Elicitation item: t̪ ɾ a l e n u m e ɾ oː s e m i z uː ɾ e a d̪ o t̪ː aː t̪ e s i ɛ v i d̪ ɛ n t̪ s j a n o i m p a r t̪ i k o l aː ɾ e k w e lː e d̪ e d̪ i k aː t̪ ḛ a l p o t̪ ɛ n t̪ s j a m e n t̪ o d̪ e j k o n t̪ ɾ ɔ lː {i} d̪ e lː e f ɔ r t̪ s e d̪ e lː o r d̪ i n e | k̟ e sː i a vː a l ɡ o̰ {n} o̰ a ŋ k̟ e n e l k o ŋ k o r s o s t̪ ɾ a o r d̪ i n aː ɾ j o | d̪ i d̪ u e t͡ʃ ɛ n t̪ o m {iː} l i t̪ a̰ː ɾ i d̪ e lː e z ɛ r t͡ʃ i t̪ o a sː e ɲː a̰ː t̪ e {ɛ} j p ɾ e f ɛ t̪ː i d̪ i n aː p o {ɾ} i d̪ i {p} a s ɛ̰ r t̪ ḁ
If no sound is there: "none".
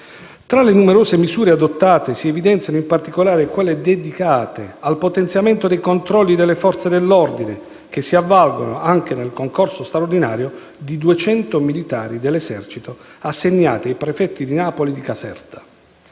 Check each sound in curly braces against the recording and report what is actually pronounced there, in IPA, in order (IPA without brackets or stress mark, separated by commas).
i, n, i, a, l, k